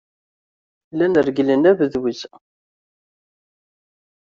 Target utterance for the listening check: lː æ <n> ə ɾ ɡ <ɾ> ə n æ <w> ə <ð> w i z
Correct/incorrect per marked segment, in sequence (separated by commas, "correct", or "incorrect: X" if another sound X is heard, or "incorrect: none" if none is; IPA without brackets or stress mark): correct, incorrect: l, incorrect: v, correct